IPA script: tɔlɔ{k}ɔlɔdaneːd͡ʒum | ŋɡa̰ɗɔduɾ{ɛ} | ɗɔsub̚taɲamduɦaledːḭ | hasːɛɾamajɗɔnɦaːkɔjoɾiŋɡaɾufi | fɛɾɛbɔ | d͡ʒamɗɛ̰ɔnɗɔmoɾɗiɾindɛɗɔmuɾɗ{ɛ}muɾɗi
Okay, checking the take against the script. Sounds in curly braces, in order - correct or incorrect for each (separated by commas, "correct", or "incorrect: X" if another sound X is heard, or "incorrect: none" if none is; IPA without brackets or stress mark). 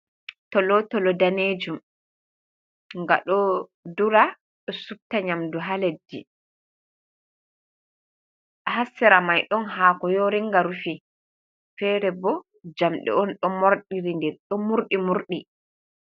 incorrect: t, incorrect: a, incorrect: i